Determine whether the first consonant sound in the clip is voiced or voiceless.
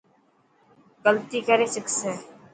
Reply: voiced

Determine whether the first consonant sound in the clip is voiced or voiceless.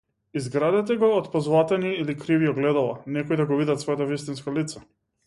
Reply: voiced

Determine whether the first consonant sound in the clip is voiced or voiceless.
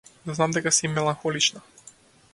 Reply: voiced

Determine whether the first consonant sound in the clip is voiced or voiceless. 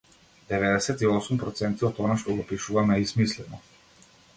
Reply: voiced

